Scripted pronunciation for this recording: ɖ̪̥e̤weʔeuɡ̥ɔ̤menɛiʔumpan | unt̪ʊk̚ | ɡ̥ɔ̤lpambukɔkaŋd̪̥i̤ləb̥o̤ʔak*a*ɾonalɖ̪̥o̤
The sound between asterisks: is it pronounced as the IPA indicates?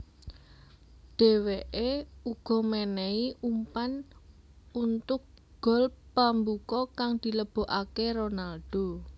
no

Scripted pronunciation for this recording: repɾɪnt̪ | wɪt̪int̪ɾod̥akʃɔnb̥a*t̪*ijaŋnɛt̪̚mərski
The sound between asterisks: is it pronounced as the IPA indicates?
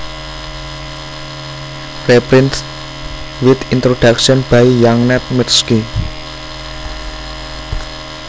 no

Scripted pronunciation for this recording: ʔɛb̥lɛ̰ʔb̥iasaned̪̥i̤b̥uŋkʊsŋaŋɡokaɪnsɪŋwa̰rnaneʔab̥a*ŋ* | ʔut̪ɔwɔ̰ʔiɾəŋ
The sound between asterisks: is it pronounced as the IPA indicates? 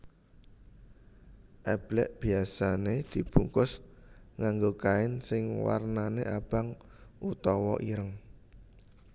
yes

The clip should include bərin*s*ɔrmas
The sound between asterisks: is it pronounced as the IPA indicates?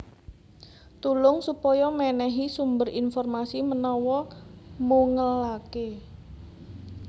no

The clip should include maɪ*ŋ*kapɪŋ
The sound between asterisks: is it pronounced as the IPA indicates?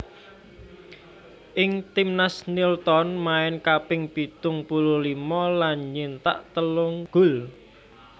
no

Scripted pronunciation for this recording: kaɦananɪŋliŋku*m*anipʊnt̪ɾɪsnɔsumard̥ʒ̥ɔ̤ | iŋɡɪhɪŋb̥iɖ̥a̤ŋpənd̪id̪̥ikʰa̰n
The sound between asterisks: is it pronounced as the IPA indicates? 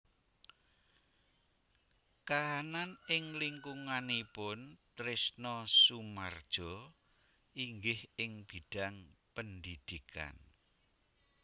no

